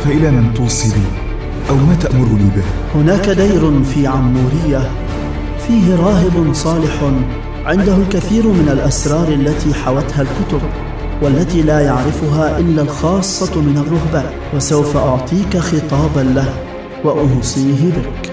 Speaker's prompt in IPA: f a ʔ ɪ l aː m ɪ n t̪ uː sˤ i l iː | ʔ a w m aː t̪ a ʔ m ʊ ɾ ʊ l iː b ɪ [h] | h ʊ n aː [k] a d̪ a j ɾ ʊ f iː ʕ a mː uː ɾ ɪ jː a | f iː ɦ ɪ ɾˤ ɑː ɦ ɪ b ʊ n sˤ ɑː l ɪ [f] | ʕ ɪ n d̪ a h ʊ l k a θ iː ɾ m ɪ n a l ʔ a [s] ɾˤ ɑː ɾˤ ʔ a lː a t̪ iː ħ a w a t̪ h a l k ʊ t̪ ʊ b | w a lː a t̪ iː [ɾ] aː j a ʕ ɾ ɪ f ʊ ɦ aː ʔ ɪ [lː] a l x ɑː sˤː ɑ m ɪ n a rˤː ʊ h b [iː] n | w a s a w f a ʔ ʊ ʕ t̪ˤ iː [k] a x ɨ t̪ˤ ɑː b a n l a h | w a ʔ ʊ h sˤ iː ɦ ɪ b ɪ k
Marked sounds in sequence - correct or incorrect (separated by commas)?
correct, correct, incorrect, correct, incorrect, correct, incorrect, correct